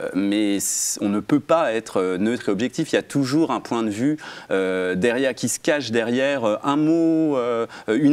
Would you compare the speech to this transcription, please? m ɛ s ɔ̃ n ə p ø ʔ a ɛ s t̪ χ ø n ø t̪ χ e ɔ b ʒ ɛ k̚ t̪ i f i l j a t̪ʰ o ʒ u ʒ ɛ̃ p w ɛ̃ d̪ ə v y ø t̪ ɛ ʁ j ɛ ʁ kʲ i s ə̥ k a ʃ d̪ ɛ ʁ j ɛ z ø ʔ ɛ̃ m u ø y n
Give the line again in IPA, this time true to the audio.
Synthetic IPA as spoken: m ɛ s ɔ̃ n ə p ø p a ɛ t̪ χ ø n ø t̪ χ e ɔ b ʒ ɛ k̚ t̪ i f i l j a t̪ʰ u ʒ u ʁ ɛ̃ p w ɛ̃ d̪ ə v y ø d̪ ɛ ʁ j ɛ ʁ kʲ i s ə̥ k a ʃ d̪ ɛ ʁ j ɛ ʁ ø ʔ ɛ̃ m o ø y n